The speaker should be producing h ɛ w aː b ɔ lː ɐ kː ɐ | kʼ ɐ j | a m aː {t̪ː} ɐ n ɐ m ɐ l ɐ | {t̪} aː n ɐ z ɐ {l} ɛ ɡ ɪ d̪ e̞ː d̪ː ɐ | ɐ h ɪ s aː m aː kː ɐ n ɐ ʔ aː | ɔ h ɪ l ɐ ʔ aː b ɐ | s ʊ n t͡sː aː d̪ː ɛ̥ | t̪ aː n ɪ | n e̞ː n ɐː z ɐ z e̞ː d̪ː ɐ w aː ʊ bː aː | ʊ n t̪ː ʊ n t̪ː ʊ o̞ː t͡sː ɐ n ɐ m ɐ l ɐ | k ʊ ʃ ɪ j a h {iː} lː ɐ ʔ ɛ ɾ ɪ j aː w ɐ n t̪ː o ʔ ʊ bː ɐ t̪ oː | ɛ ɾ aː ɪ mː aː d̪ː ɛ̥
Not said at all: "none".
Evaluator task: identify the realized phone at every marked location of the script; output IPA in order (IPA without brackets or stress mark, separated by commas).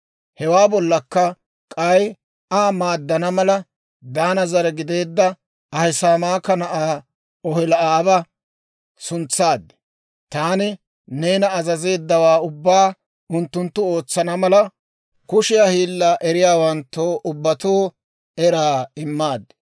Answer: d̪ː, d̪, ɾ, iː